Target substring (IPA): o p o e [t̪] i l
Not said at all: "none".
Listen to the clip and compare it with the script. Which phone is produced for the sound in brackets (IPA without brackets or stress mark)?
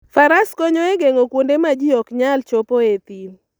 t̪